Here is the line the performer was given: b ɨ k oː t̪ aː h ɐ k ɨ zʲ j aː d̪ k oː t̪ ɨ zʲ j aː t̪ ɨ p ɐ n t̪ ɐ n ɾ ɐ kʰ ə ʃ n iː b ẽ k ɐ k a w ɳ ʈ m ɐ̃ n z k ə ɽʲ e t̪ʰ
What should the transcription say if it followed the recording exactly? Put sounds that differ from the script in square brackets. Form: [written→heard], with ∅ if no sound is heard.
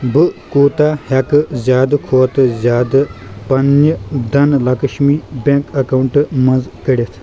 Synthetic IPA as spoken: b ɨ k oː t̪ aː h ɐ k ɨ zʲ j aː d̪ [k→kʰ] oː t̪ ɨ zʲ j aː [t̪→d̪] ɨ p ɐ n [t̪→d̪] ɐ n [ɾ→l] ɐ [kʰ→k] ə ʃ [n→m] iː b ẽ k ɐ k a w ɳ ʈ m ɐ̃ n z k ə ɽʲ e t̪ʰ

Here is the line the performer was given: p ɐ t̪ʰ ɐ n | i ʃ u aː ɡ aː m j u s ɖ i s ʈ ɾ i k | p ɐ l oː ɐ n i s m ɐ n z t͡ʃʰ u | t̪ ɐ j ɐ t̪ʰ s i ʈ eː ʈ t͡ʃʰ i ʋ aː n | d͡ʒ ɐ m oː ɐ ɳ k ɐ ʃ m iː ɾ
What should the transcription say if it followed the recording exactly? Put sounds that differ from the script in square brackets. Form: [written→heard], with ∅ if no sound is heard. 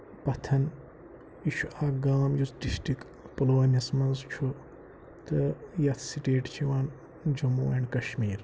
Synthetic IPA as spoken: p ɐ t̪ʰ ɐ n | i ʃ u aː ɡ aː m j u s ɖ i s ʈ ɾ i k | p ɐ l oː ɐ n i s m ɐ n z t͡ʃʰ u | t̪ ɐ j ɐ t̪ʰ s i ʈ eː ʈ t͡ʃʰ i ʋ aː n | d͡ʒ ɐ m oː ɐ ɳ k ɐ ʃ m iː ɾ

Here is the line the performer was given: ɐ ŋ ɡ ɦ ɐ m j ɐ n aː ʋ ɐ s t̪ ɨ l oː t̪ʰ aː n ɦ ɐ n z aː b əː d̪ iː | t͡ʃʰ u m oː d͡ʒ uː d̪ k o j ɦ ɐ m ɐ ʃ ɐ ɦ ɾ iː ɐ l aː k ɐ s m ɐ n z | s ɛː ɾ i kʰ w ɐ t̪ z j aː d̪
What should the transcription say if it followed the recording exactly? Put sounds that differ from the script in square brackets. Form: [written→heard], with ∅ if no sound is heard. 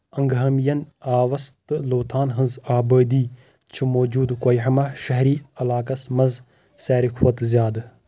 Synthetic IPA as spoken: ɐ ŋ ɡ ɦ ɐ m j ɐ n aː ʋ ɐ s t̪ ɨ l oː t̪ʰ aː n ɦ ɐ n z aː b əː d̪ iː | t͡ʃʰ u m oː d͡ʒ uː d̪ k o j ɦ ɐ m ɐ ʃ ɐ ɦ ɾ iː ɐ l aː k ɐ s m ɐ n z | s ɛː ɾ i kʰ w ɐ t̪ z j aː d̪

